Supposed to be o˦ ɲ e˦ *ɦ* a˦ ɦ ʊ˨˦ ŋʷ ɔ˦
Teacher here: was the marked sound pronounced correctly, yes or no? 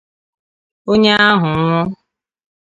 no